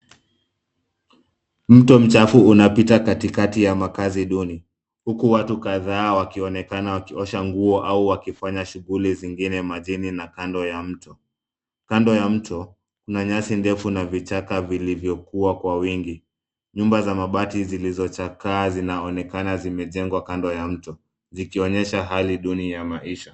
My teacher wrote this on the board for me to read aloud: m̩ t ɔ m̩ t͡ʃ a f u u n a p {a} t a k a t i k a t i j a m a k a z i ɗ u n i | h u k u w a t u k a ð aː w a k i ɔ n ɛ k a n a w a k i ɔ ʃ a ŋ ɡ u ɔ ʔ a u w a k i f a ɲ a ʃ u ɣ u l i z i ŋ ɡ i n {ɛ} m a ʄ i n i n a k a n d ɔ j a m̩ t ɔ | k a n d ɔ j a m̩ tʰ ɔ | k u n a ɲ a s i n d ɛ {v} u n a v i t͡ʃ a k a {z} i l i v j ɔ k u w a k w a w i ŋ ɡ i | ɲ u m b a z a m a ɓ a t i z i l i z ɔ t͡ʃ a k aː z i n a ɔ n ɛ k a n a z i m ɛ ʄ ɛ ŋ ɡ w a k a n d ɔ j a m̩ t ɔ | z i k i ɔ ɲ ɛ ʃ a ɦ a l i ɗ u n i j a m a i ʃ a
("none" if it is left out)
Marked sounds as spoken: i, ɛ, f, v

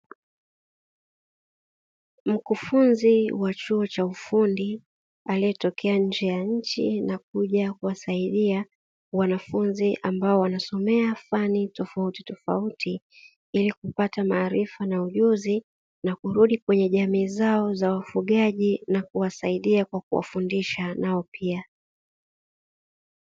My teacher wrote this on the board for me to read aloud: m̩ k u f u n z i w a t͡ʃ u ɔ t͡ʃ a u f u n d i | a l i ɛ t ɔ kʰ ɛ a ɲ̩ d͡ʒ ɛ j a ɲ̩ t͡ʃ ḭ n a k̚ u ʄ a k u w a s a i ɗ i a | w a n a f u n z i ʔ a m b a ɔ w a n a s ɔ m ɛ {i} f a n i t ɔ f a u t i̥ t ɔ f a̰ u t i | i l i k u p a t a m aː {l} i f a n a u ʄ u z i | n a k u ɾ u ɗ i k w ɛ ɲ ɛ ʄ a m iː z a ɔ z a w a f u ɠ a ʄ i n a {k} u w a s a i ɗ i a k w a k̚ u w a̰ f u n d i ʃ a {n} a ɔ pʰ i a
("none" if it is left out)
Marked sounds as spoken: a, ɾ, k, n

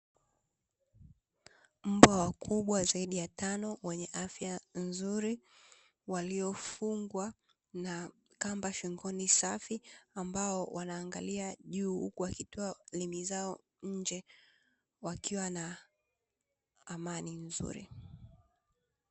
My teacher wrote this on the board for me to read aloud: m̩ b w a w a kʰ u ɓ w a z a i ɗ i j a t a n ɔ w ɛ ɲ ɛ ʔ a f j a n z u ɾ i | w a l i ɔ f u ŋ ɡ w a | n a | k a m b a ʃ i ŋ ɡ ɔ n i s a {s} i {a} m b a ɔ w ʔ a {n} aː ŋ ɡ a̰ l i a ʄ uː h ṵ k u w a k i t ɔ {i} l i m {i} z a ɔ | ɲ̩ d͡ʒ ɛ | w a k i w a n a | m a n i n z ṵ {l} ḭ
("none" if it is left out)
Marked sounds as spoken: f, a, n, a, i, ɾ

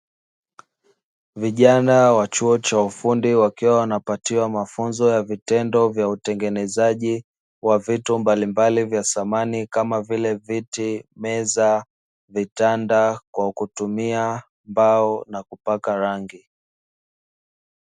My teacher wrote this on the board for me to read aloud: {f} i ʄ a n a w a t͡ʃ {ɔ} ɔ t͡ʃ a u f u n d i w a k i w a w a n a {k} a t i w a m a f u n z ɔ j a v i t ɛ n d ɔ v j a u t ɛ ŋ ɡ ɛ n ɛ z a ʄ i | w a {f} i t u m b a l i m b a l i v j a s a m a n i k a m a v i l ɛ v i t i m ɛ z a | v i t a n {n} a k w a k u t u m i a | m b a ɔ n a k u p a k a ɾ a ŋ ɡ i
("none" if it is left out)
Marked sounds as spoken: v, u, p, v, d

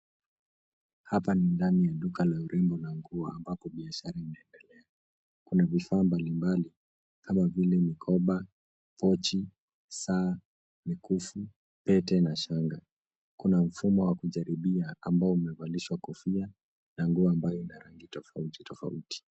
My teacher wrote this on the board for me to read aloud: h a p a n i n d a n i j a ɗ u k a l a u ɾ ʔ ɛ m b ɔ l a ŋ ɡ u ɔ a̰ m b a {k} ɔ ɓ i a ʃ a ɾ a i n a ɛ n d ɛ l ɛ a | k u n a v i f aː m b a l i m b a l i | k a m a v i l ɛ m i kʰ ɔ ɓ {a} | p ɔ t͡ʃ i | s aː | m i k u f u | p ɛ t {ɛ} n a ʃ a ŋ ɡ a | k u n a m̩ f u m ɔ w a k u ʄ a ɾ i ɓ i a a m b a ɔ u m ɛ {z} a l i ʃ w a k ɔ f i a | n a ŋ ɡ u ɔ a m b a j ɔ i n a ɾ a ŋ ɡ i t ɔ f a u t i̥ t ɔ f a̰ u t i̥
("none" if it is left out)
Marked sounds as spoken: p, a, ɛ, v

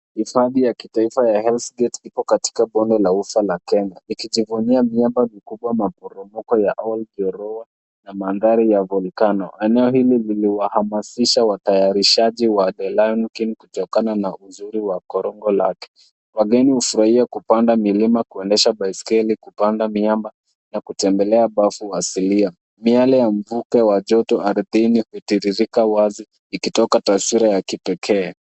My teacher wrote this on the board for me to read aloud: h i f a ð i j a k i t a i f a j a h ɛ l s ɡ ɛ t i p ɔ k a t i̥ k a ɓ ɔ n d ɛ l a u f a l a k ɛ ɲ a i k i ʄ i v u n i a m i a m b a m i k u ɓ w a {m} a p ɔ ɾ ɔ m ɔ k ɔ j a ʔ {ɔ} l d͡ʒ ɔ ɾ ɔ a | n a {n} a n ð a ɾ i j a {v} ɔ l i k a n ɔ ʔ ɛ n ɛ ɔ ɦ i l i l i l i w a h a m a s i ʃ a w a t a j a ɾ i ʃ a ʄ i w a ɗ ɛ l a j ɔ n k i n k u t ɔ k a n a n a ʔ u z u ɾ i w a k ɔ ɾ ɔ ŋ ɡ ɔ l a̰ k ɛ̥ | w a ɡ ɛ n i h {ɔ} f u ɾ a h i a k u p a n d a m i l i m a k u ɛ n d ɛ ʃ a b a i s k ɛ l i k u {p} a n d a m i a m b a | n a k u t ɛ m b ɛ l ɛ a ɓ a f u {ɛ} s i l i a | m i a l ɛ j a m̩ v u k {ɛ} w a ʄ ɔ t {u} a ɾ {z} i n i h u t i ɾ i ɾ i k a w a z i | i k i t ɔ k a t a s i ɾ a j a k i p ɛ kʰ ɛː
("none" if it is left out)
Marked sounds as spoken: m, ɔ, m, v, u, p, a, ɛ, ɔ, ð

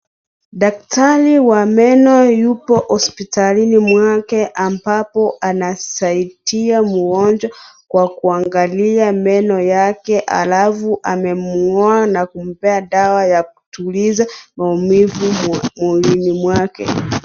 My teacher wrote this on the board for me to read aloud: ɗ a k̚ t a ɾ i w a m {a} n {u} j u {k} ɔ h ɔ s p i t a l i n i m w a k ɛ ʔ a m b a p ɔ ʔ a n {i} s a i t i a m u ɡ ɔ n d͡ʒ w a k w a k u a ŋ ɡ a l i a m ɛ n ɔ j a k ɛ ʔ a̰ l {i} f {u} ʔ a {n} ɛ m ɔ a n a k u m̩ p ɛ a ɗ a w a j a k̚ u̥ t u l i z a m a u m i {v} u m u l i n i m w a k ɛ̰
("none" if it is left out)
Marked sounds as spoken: ɛ, ɔ, p, a, a, u, m, v

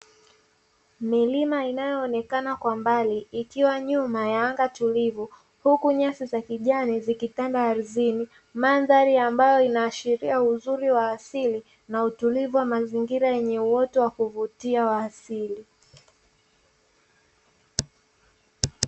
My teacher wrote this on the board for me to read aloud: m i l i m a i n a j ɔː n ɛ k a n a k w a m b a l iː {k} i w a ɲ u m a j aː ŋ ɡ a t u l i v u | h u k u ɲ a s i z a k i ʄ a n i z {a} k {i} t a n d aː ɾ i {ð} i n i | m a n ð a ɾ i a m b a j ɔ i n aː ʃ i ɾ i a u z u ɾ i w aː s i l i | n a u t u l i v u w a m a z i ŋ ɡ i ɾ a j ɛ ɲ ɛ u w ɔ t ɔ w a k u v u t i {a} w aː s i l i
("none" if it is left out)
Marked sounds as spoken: k, i, i, z, a

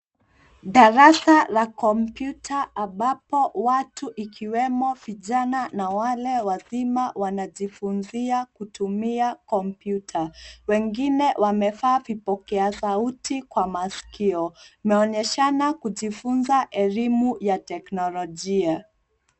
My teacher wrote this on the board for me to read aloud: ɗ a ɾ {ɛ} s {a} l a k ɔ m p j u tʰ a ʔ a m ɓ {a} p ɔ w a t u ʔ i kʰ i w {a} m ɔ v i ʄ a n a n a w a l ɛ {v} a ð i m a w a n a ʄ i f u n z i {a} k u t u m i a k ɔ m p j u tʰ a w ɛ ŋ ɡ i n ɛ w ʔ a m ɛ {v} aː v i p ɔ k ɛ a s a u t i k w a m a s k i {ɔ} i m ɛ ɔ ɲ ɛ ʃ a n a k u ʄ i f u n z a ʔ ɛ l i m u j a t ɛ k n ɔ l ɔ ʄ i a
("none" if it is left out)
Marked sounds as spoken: a, a, a, ɛ, w, a, f, ɔ

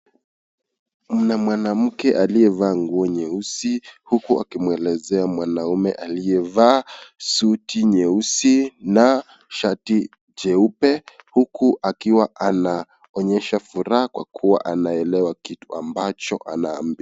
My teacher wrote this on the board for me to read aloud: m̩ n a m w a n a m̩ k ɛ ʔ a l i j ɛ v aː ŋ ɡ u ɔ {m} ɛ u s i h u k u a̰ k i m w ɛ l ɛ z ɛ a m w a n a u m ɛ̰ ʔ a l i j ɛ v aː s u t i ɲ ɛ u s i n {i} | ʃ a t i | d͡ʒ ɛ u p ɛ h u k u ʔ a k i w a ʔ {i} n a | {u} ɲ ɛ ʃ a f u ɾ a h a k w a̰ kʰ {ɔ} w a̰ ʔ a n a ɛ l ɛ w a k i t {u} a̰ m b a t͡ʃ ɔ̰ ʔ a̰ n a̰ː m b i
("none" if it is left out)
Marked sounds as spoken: ɲ, a, a, ɔ, u, u

